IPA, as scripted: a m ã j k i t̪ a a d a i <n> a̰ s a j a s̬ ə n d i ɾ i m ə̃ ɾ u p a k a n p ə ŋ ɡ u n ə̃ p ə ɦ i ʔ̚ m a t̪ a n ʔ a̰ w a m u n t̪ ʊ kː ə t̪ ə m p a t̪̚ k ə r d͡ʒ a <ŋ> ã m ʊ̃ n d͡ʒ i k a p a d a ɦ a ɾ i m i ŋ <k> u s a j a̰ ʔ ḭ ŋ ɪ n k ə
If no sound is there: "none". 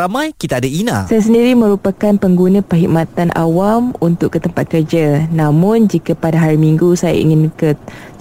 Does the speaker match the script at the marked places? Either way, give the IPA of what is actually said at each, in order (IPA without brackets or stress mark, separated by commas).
n, n, ɡ